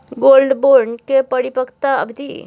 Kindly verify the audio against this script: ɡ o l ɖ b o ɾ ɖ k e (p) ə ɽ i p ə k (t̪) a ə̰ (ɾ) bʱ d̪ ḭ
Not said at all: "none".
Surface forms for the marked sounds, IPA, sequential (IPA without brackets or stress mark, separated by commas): p, t̪, none